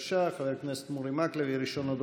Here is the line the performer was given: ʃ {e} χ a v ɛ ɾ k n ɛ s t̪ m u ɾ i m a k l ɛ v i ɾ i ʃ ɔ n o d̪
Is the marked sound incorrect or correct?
incorrect